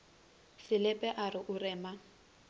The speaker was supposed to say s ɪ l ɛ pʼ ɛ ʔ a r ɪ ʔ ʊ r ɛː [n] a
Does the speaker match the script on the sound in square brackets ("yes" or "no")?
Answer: no